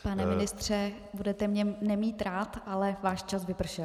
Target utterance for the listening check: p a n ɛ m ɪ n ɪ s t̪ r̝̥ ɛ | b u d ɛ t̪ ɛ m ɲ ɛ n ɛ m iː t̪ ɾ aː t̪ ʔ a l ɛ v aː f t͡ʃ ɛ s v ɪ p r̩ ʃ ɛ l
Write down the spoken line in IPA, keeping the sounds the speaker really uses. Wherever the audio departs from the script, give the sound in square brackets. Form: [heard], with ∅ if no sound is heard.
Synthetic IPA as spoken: p a n ɛ m ɪ n ɪ s t̪ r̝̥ ɛ | b u d ɛ t̪ ɛ m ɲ ɛ n ɛ m iː t̪ ɾ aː t̪ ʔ a l ɛ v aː [ʃ] t͡ʃ [a] s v ɪ p r̩ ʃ ɛ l